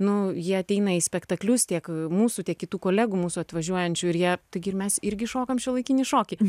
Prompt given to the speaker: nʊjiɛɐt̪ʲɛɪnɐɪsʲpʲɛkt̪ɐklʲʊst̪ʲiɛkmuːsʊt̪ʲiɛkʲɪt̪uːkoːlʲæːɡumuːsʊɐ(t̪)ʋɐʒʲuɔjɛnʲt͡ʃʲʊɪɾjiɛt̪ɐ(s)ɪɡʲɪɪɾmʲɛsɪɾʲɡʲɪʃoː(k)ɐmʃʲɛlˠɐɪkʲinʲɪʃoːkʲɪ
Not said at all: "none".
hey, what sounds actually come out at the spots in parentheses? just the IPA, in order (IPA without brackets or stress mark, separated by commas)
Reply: t̪, none, k